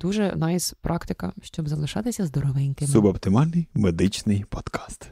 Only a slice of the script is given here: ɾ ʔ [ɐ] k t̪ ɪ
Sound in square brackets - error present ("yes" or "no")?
yes